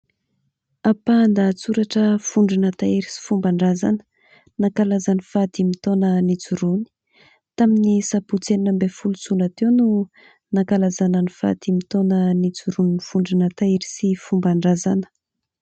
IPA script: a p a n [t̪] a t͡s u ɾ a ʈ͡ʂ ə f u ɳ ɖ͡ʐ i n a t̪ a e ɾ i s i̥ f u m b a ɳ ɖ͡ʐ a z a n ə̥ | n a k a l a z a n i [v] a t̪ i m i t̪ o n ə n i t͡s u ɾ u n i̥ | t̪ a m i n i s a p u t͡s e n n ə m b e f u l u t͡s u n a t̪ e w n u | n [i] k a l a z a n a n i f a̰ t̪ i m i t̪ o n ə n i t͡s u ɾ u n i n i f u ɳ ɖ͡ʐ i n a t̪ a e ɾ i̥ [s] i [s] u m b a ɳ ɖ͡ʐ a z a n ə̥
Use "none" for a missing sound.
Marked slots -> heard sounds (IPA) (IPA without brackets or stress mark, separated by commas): d̪, f, a, s, f